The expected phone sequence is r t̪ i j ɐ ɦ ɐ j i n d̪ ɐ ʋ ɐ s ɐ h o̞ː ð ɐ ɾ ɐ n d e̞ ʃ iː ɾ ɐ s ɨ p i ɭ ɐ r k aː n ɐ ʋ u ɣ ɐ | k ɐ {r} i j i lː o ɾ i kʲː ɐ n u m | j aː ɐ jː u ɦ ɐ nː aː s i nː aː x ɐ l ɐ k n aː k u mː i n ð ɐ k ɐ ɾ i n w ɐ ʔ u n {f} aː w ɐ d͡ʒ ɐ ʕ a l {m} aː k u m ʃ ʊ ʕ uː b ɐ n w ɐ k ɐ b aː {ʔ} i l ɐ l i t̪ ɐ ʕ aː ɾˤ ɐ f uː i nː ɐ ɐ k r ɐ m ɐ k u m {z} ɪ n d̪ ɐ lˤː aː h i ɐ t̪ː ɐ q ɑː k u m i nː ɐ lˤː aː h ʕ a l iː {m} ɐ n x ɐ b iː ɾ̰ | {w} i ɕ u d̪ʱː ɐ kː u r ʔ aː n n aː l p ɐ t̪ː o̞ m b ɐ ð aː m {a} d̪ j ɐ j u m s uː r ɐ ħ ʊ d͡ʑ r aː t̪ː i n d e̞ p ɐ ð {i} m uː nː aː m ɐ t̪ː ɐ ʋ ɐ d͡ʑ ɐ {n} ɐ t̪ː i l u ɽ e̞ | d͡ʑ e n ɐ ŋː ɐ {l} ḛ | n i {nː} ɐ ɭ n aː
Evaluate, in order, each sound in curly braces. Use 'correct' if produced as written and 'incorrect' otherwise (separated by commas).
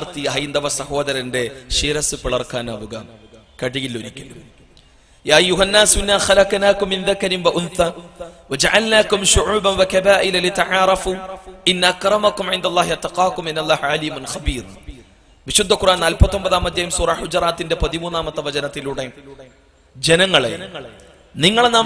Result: incorrect, incorrect, incorrect, correct, incorrect, correct, incorrect, incorrect, correct, correct, incorrect, incorrect